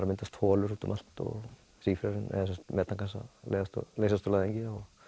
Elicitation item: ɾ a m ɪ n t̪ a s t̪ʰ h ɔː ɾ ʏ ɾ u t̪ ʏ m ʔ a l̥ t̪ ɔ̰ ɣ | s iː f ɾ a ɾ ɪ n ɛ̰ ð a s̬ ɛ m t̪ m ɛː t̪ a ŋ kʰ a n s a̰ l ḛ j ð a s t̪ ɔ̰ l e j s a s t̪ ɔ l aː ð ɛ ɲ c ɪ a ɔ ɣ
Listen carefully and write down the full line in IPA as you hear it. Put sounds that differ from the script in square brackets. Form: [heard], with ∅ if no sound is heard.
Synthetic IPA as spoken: ɾ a m ɪ n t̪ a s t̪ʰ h ɔː [l] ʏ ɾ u t̪ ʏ m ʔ a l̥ t̪ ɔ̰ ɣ | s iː f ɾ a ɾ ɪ n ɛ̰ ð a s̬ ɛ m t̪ m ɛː t̪ a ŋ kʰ a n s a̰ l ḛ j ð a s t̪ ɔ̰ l e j s a s t̪ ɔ l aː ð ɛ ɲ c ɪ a ɔ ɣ